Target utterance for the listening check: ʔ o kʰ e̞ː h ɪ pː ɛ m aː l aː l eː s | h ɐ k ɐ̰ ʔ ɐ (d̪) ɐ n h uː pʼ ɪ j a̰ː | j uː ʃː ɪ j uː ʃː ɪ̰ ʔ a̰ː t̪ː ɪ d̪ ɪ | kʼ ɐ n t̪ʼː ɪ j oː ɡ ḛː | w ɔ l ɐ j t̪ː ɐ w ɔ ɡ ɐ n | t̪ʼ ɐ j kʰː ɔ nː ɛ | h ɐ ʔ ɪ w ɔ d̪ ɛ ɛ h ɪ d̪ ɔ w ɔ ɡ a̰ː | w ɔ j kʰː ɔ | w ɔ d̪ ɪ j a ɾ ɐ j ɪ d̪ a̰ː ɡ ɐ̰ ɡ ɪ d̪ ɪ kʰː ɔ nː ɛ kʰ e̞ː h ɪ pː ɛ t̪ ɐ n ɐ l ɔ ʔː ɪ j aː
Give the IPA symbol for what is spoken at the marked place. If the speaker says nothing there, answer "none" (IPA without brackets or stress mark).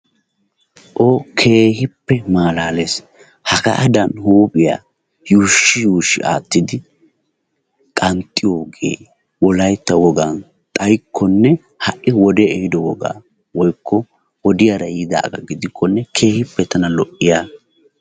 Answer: d̪